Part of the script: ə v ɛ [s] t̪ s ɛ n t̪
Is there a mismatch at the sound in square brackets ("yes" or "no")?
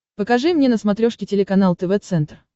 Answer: yes